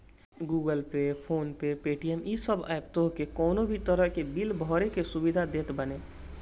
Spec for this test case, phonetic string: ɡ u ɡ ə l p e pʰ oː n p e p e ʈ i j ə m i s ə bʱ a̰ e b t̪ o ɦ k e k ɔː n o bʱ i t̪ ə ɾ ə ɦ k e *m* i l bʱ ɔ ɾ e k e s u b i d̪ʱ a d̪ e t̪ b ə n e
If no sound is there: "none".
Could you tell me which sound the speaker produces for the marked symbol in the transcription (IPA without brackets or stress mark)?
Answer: b